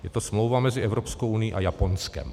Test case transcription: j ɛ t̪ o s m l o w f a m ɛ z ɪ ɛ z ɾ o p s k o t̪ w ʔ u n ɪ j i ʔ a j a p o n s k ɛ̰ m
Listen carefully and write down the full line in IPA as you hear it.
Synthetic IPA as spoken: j ɛ t̪ o s m l o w v a m ɛ z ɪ ɛ v ɾ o p s k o w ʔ u n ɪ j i ʔ a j a p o n s k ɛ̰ m

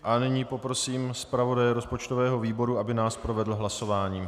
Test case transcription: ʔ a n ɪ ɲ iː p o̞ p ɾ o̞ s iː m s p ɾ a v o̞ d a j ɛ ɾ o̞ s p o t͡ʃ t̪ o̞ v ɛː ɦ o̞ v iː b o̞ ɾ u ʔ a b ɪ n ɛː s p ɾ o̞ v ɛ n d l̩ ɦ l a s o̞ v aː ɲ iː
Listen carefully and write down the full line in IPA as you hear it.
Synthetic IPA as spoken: ʔ a n ɪ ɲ iː p o̞ p ɾ o̞ s iː m s p ɾ a v o̞ d a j ɛ ɾ o̞ s p o t͡ʃ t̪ o̞ v ɛː ɦ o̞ v iː b o̞ ɾ u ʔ a b ɪ n aː s p ɾ o̞ v ɛ d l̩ ɦ l a s o̞ v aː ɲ iː

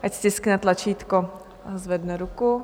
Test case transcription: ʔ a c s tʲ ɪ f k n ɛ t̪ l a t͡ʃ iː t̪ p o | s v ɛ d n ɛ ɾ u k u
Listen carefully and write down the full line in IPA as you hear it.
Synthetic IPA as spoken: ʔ a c s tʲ ɪ s k n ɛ t̪ l a t͡ʃ iː t̪ k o | z v ɛ d n ɛ ɾ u k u

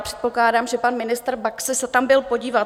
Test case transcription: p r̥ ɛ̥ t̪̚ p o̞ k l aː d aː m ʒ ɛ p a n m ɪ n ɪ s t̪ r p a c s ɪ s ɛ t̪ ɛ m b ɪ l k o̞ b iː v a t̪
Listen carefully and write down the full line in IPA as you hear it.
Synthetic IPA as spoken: p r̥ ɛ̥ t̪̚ p o̞ k l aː d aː m ʒ ɛ p a n m ɪ n ɪ s t̪ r b a k s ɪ s ɛ t̪ a m b ɪ l p o̞ ɟ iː v a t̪

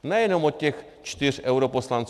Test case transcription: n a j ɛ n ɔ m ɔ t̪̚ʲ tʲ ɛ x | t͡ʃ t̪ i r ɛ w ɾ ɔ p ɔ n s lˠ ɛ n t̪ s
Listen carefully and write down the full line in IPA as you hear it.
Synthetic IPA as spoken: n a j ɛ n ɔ m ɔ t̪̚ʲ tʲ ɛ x | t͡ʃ t̪ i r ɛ w ɾ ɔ p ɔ s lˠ a n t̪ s

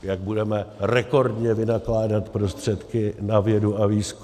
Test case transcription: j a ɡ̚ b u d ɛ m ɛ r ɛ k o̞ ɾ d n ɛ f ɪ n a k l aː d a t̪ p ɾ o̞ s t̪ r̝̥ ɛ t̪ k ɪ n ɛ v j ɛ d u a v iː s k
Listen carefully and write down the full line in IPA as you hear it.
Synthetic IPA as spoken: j a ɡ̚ b u d ɛ m ɛ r ɛ k o̞ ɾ d ɲ ɛ v ɪ n a k l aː d a t̪ p ɾ o̞ s t̪ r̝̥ ɛ t̪ k ɪ n a v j ɛ d u a v iː s k

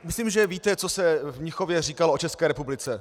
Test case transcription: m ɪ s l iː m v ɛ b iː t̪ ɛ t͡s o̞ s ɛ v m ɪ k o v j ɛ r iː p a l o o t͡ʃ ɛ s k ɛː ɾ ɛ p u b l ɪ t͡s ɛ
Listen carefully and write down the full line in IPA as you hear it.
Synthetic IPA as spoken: m ɪ s l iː m ʒ ɛ v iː t̪ ɛ t͡s o̞ s ɛ v ɲ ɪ x o v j ɛ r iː k a l o o t͡ʃ ɛ s k ɛː ɾ ɛ p u b l ɪ t͡s ɛ

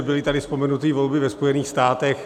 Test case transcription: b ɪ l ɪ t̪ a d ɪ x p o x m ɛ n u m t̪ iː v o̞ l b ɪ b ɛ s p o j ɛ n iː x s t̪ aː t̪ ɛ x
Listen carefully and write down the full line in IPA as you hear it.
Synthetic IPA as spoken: b ɪ l ɪ t̪ a d ɪ s p o m ɛ n u t̪ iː v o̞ l b ɪ v ɛ s p o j ɛ n iː x s t̪ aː t̪ ɛ x

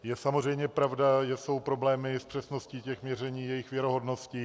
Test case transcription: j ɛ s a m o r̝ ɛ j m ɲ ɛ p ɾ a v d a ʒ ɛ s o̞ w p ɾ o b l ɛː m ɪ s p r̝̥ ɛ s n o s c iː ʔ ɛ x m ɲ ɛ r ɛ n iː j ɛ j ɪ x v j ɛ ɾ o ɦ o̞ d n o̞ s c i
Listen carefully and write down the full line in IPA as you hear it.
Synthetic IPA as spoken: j ɛ s a m o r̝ ɛ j m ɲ ɛ p ɾ a v d a ʒ ɛ s o̞ w p ɾ o b l ɛː m ɪ s p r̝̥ ɛ s n o s c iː c ɛ x m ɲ ɛ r ɛ ɲ iː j ɛ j ɪ x v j ɛ ɾ o ɦ o̞ d n o̞ s c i

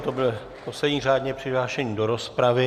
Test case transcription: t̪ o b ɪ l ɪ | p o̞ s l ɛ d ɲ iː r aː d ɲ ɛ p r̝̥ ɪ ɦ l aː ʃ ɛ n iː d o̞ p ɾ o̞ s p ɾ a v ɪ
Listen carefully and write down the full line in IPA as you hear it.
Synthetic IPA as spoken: t̪ o b ɪ l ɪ | p o̞ s l ɛ d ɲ iː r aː d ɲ ɛ p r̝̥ ɪ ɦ l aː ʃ ɛ ɲ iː d o̞ ɾ o̞ s p ɾ a v ɪ

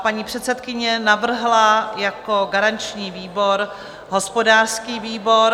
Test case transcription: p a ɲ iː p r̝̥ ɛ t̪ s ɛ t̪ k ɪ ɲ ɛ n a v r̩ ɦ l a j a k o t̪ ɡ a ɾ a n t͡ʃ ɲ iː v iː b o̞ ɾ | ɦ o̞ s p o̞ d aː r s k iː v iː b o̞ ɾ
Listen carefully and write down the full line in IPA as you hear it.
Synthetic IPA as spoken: p a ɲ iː p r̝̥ ɛ t̪ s ɛ t̪ k ɪ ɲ ɛ n a v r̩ ɦ l a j a k o ɡ a ɾ a n t͡ʃ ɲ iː v iː b o̞ ɾ | ɦ o̞ s p o̞ d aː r s k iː v iː b o̞ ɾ

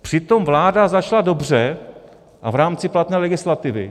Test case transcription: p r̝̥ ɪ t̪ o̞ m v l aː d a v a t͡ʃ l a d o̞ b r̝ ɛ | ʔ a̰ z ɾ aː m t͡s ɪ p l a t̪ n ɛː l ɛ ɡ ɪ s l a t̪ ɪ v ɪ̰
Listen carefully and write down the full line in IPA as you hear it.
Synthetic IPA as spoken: p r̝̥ ɪ t̪ o̞ m v l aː d a z a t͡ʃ l a d o̞ b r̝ ɛ | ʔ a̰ v ɾ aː m t͡s ɪ p l a t̪ n ɛː l ɛ ɡ ɪ s l a t̪ ɪ v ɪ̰

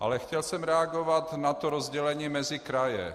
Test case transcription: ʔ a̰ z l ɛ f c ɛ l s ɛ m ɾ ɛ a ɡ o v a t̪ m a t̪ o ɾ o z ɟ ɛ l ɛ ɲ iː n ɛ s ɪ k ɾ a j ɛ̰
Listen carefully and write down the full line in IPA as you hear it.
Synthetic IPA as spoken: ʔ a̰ l ɛ x c ɛ l s ɛ m ɾ ɛ a ɡ o v a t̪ n a t̪ o ɾ o z ɟ ɛ l ɛ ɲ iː m ɛ z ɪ k ɾ a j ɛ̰

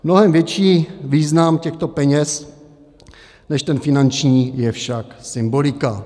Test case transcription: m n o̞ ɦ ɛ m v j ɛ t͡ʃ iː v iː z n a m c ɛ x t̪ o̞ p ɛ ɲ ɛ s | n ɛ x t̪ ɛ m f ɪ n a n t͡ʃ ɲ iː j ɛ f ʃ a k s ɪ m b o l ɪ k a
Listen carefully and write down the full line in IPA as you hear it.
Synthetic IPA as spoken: m n o̞ ɦ ɛ m v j ɛ t͡ʃ iː v iː z n a m c ɛ x t̪ o̞ p ɛ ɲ ɛ s | n ɛ ʃ t̪ ɛ n f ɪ n a n t͡ʃ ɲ iː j ɛ f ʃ a k s ɪ m b o l ɪ k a

